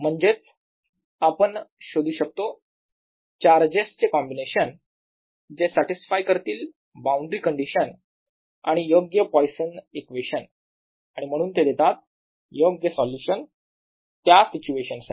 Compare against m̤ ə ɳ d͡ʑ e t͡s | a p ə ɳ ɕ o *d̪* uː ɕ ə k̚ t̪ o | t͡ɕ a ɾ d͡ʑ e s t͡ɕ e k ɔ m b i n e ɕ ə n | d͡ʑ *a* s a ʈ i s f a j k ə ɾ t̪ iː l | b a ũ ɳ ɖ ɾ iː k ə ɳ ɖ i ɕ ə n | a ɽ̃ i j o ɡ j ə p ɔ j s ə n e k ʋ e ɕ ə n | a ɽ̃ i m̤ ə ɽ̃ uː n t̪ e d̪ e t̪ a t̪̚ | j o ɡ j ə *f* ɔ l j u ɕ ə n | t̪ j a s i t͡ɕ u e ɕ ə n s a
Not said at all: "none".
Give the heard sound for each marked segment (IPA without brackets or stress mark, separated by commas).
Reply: d̪, e, s